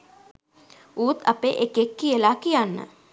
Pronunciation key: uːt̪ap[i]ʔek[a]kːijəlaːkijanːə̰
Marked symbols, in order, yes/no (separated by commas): no, no